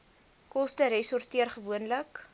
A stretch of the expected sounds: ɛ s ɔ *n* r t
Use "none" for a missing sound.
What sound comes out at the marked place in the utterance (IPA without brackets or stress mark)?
none